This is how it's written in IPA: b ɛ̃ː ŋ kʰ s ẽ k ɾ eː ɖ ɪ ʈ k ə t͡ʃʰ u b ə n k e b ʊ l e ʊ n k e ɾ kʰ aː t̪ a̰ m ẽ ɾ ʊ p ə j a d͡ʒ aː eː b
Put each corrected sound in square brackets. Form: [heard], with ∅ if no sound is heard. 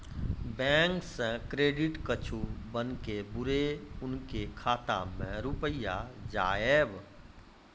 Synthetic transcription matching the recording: b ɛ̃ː ŋ [k] s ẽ k ɾ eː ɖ ɪ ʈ k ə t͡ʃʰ u b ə n k e b ʊ [ɾ] e ʊ n k e [∅] kʰ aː t̪ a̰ m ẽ ɾ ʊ p ə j a d͡ʒ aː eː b